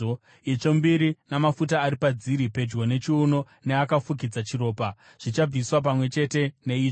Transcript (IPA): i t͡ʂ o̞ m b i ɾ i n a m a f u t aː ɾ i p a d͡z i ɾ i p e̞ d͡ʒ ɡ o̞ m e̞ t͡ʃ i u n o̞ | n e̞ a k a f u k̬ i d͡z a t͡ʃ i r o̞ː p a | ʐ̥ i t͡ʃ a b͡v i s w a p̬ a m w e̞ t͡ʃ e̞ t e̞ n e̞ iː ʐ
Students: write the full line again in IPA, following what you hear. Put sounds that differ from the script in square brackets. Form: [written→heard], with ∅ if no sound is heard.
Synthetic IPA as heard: i t͡ʂ o̞ m b i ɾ i n a m a f u t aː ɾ i p a d͡z i ɾ i p e̞ d͡ʒ ɡ o̞ [m→n] e̞ t͡ʃ i u n o̞ | n e̞ a k a f u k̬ i d͡z a t͡ʃ i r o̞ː p a | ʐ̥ i t͡ʃ a b͡v i s w a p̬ a m w e̞ t͡ʃ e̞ t e̞ n e̞ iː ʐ